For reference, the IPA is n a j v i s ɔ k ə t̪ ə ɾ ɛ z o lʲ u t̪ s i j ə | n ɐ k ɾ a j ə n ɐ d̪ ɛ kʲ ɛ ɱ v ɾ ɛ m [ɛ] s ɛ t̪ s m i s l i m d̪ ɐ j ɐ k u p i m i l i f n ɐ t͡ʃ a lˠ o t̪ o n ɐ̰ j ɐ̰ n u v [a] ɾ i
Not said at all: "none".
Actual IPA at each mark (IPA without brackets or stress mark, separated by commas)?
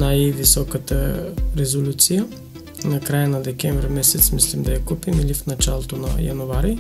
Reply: ɛ, a